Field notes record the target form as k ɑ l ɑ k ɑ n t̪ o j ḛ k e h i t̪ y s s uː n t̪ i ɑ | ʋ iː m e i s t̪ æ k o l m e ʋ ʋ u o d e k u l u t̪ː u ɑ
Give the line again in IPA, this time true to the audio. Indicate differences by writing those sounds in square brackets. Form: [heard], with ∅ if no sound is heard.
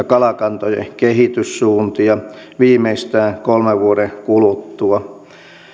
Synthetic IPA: k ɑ l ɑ k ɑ n t̪ o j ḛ k e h i t̪ y s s uː n t̪ i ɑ | ʋ iː m e i s t̪ [æː] k o l m e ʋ ʋ u o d e k u l u t̪ː u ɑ